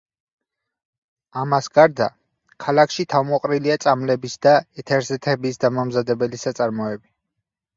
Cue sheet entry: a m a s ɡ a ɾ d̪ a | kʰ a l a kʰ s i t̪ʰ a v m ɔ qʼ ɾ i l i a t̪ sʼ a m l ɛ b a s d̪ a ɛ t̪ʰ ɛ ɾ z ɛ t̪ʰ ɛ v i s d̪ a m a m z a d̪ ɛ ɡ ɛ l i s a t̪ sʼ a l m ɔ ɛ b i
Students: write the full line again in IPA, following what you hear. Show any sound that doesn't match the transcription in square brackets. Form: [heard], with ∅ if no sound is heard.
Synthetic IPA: a m a s ɡ a ɾ d̪ a | kʰ a l a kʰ [ʃ] i t̪ʰ a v m ɔ qʼ ɾ i l i a t̪ sʼ a m l ɛ b [i] s d̪ a ɛ t̪ʰ ɛ ɾ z ɛ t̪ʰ ɛ [b] i s d̪ a m a m z a d̪ ɛ [b] ɛ l i s a t̪ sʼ a [ɾ] m ɔ ɛ b i

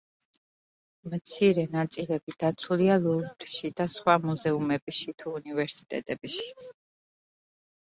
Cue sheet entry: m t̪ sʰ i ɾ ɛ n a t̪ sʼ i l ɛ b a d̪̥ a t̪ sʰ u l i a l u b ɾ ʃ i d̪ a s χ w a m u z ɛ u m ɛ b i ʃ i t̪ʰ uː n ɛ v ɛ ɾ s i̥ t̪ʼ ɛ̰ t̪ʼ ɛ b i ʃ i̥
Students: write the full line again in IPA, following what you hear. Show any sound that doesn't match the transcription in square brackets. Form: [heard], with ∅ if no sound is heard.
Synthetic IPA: m t̪ sʰ i ɾ ɛ n a t̪ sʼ i l ɛ b [i] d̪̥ a t̪ sʰ u l i a l u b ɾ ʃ i d̪ a s χ w a m u z ɛ u m ɛ b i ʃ i t̪ʰ uː n [i] v ɛ ɾ s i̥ t̪ʼ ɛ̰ t̪ʼ ɛ b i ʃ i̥

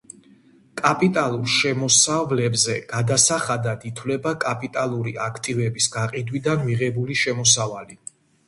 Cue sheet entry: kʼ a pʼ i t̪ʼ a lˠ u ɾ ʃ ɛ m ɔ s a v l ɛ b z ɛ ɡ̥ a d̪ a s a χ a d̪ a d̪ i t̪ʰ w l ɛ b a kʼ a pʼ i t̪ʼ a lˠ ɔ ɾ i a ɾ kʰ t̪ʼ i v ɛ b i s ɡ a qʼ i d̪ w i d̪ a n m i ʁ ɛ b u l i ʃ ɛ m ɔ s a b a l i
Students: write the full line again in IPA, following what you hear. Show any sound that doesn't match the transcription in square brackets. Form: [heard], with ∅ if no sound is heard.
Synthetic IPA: kʼ a pʼ i t̪ʼ a lˠ u ɾ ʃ ɛ m ɔ s a v l ɛ b z ɛ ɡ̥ a d̪ a s a χ a d̪ a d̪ i t̪ʰ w l ɛ b a kʼ a pʼ i t̪ʼ a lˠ [u] ɾ i a [∅] kʰ t̪ʼ i v ɛ b i s ɡ a qʼ i d̪ w i d̪ a n m i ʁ ɛ b u l i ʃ ɛ m ɔ s a [v] a l i

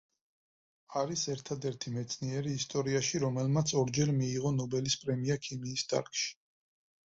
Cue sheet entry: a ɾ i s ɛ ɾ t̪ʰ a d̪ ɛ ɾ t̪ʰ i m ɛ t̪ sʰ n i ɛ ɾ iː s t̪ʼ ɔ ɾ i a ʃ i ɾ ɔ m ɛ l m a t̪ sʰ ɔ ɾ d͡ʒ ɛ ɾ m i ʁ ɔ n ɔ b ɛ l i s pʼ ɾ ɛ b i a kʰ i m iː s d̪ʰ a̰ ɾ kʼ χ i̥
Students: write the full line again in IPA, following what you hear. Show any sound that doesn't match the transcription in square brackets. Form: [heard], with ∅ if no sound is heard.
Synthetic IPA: a ɾ i s ɛ ɾ t̪ʰ a d̪ ɛ ɾ t̪ʰ i m ɛ t̪ sʰ n i ɛ ɾ iː s t̪ʼ ɔ ɾ i a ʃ i ɾ ɔ m ɛ l m a t̪ sʰ ɔ ɾ d͡ʒ ɛ ɾ m [iː] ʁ ɔ n ɔ b ɛ l i s pʼ ɾ ɛ [m] i a kʰ i m iː s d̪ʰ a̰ ɾ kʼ [ʃ] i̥

